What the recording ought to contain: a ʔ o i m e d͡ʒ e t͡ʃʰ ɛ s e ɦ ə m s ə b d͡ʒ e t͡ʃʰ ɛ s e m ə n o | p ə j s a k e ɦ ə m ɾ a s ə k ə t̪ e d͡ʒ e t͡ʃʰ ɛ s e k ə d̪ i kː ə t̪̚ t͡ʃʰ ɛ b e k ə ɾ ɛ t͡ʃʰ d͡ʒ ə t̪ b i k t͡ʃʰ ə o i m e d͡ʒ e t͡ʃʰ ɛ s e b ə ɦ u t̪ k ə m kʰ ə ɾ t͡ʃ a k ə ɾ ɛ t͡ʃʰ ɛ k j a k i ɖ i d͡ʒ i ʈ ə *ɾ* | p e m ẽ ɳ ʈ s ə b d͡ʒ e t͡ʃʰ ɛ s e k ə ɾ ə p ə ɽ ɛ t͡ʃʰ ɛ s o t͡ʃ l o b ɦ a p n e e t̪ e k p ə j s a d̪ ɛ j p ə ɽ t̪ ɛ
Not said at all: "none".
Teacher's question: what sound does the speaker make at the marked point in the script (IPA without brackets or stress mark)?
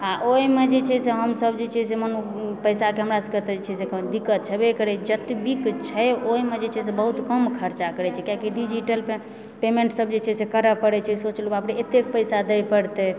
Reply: l